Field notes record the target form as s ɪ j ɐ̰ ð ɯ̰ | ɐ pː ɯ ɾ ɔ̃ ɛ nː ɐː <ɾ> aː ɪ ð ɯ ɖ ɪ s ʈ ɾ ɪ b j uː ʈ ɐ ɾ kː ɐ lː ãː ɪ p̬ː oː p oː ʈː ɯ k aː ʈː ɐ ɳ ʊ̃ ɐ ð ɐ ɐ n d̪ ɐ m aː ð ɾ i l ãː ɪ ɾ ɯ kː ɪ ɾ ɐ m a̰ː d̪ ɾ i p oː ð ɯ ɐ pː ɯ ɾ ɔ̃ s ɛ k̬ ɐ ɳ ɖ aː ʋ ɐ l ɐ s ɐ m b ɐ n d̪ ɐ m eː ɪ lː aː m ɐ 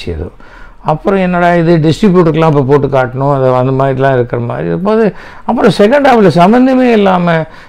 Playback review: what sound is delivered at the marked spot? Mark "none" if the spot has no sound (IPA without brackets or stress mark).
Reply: ɽ